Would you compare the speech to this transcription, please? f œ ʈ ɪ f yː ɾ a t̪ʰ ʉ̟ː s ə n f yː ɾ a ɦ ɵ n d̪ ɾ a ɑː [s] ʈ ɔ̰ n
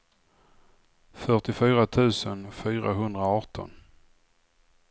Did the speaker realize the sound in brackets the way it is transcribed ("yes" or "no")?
no